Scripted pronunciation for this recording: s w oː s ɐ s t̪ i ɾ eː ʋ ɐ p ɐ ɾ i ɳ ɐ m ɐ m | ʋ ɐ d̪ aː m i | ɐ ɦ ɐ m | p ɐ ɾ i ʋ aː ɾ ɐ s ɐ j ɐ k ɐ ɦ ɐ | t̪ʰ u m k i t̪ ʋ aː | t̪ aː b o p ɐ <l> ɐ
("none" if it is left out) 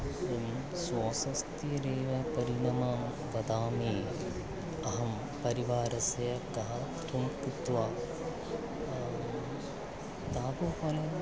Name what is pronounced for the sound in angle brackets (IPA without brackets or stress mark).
l